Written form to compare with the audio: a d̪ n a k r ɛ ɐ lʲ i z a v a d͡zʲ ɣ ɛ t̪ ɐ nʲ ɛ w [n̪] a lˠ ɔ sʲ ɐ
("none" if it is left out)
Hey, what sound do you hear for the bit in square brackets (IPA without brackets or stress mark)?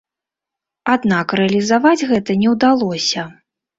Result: d̪